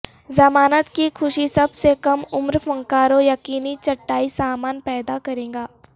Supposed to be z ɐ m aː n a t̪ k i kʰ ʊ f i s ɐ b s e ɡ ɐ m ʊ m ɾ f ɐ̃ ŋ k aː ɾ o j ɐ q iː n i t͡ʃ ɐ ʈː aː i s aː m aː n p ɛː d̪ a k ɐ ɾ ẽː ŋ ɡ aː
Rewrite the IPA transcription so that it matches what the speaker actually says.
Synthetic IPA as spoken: z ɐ m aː n ə t̪ k i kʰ ʊ ʃ i s ɐ b s e k ɐ m ʊ m ɾ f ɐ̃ ŋ k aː ɾ o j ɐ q iː n i t͡ʃ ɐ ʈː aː i s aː m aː n p ɛː d̪ a k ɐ ɾ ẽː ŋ ɡ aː